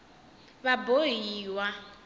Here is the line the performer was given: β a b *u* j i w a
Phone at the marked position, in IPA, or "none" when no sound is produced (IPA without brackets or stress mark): o